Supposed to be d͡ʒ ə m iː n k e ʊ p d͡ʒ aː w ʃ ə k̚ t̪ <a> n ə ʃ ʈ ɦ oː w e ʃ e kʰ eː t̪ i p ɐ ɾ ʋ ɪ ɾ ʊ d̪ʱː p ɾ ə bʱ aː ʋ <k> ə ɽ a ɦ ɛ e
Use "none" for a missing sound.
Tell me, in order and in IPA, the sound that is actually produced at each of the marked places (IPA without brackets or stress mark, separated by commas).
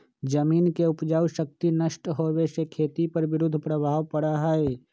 i, p